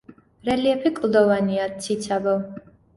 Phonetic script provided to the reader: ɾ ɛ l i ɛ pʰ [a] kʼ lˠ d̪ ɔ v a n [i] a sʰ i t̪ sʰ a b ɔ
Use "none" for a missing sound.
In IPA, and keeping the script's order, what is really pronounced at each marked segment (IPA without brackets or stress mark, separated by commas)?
i, i